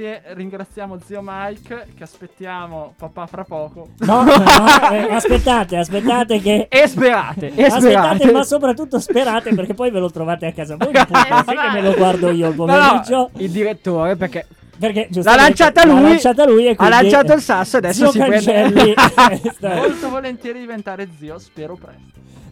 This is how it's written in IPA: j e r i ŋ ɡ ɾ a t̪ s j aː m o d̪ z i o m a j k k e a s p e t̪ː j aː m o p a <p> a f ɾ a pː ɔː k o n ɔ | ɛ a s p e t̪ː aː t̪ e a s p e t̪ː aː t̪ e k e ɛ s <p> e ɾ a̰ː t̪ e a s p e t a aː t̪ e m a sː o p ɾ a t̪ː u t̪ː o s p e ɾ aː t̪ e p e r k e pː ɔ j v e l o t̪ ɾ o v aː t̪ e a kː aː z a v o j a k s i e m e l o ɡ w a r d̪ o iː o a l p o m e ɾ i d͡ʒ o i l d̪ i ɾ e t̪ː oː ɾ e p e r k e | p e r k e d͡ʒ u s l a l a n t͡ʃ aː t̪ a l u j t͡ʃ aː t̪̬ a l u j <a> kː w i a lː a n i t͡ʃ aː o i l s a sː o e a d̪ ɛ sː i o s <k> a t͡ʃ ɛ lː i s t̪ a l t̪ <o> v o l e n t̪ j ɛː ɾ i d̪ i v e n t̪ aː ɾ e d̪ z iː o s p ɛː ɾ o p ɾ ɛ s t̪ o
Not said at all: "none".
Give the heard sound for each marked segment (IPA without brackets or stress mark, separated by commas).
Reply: p, p, e, k, o